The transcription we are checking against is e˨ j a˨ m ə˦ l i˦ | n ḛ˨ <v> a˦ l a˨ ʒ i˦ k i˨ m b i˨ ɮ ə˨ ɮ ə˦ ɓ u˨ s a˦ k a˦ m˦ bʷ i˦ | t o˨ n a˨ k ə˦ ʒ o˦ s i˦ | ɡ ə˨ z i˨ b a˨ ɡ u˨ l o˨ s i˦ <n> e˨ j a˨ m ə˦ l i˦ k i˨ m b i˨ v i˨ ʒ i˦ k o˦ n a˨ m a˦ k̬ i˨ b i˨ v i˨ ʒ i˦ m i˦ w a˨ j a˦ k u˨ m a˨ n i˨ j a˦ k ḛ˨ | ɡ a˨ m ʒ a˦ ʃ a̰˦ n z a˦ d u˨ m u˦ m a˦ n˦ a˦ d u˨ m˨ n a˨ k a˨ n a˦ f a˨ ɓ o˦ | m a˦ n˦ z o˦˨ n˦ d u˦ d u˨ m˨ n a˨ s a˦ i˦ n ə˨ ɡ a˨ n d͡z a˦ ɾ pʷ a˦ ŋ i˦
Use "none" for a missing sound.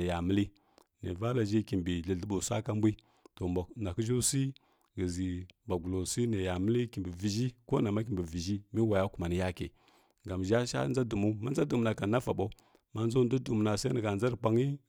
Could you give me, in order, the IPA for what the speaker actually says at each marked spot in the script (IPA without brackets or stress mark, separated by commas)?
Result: v, n